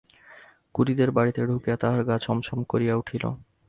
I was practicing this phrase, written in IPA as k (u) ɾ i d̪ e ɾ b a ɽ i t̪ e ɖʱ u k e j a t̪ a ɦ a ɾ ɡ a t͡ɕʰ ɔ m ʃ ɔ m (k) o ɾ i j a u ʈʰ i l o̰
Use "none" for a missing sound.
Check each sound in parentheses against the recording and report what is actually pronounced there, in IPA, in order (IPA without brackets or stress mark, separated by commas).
u, k